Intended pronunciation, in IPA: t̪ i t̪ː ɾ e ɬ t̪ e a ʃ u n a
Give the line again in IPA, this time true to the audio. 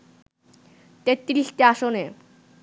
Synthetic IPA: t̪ e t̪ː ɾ i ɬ t̪ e a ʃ o n e